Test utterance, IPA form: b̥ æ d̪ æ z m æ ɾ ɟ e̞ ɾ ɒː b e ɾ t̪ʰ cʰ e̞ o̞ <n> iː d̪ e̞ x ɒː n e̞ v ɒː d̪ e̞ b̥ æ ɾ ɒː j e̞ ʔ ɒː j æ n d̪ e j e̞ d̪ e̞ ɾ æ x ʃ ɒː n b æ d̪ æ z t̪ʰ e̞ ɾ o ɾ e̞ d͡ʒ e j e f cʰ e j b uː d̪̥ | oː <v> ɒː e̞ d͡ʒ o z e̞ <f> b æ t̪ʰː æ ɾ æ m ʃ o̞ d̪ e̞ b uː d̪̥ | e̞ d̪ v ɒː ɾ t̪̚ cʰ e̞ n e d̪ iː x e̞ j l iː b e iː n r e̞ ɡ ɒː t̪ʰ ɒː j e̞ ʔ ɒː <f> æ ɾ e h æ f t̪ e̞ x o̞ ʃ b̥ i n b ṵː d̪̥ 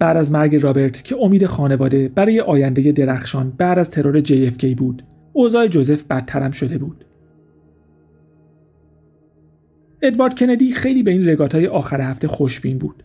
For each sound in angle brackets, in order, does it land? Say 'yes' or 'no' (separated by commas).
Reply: no, no, yes, no